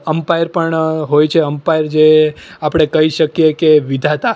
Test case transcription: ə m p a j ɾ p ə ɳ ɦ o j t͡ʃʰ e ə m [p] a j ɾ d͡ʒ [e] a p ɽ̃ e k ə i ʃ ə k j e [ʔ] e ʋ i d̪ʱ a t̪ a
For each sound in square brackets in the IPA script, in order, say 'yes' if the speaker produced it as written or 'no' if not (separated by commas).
yes, yes, no